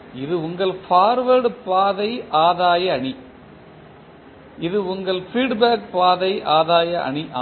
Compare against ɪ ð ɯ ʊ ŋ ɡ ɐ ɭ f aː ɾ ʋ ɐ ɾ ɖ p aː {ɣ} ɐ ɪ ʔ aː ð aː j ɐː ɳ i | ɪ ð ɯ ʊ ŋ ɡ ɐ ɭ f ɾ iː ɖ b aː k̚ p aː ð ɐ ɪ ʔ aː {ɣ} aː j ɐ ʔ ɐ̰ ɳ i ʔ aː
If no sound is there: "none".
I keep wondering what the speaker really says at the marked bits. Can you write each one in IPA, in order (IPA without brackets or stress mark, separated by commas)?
ð, ð